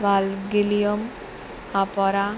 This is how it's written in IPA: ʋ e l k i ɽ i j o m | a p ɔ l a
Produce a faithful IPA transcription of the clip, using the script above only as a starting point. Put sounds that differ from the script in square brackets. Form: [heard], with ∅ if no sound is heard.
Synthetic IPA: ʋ [a] l [ɡ] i [l] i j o m | a p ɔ [ɾ] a